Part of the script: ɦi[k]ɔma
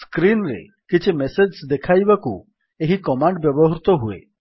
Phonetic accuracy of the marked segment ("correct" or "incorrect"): correct